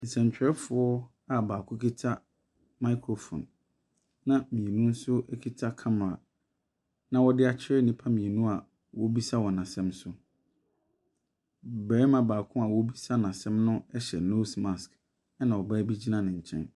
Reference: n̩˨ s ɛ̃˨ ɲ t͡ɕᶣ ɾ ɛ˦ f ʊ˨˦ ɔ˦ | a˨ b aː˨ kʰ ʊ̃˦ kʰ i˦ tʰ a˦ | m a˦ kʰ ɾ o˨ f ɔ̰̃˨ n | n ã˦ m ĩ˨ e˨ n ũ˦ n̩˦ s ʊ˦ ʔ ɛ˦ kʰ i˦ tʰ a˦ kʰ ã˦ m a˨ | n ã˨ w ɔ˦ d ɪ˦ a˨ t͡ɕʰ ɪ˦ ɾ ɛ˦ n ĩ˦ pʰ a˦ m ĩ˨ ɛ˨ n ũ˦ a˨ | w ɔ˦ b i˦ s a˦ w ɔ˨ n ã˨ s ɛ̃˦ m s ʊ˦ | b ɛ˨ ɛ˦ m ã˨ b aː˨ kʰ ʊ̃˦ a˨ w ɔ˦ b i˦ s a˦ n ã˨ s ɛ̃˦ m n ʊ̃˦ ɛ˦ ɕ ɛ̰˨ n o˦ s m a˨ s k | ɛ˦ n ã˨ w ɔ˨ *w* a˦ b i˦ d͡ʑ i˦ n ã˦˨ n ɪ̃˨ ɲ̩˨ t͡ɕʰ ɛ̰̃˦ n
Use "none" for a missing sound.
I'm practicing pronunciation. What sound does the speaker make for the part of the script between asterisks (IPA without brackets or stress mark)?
b